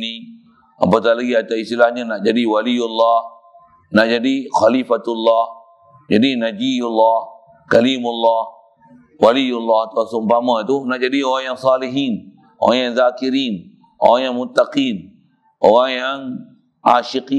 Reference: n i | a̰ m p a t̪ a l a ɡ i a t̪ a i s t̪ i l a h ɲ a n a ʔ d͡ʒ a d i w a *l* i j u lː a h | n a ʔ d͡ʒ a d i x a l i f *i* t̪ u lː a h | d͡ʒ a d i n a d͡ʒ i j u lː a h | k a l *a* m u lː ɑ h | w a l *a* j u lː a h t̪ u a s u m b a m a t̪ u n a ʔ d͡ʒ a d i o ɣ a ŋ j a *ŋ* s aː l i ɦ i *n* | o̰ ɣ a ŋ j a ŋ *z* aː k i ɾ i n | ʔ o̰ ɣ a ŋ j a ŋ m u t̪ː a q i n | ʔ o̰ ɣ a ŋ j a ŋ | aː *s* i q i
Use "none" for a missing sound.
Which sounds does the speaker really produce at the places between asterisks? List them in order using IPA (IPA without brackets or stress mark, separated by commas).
l, a, i, i, ŋ, n, z, ʃ